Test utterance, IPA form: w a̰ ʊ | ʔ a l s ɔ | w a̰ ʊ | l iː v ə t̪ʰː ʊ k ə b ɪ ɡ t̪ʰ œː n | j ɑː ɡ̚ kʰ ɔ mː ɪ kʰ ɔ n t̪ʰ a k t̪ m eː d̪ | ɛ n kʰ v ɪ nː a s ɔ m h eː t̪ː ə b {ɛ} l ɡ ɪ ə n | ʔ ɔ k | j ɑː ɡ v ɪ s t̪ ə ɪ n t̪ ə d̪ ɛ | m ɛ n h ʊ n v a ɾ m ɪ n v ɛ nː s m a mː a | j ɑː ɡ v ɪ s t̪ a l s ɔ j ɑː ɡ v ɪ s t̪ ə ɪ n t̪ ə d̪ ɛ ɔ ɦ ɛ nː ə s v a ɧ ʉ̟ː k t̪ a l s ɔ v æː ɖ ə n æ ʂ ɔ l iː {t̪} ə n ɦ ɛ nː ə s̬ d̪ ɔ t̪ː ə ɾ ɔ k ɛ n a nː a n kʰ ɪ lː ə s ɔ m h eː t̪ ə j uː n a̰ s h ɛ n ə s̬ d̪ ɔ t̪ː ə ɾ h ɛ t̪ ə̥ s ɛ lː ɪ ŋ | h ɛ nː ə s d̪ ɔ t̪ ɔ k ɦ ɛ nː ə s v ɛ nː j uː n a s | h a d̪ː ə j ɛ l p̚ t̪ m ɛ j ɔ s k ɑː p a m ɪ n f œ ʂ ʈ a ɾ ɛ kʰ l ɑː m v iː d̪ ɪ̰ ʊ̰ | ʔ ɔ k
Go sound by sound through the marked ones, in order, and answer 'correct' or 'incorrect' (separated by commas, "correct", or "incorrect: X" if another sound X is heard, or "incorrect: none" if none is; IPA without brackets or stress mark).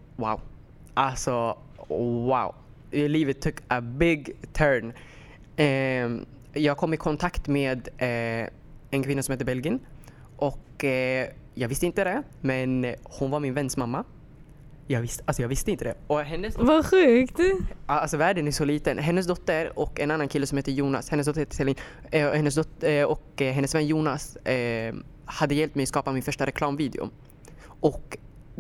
correct, correct